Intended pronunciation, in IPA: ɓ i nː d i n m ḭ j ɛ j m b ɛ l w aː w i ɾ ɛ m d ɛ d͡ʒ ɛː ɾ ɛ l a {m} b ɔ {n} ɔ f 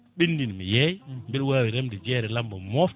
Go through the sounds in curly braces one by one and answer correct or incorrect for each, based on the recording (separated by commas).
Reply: correct, incorrect